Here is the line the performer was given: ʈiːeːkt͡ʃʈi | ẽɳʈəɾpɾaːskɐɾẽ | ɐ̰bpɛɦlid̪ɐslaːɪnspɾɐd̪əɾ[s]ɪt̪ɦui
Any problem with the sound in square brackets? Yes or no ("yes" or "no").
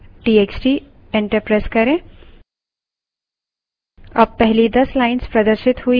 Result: yes